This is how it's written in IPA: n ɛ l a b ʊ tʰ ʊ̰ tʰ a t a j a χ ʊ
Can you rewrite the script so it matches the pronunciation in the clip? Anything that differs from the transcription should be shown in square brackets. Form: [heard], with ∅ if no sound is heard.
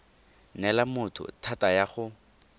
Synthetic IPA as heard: n ɛ l a [m] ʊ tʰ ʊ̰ tʰ a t a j a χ ʊ

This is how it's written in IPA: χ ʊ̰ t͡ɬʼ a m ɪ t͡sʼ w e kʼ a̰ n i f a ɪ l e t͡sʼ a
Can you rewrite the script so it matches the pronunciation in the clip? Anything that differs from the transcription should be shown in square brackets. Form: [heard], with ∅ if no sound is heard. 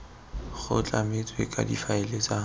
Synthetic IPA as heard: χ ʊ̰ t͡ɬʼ a m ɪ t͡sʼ w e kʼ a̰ [d] i f a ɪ l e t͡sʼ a

